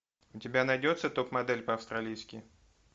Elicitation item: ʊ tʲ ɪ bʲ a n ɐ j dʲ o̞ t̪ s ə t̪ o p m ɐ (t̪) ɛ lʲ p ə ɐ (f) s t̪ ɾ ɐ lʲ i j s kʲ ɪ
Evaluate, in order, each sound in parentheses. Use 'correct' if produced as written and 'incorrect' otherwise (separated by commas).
incorrect, correct